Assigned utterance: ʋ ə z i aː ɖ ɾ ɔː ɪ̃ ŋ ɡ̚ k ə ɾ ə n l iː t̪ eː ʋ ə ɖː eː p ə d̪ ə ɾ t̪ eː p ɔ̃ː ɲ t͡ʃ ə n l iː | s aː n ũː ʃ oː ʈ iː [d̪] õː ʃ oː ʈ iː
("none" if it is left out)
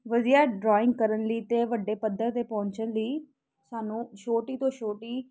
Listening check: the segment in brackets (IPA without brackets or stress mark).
t̪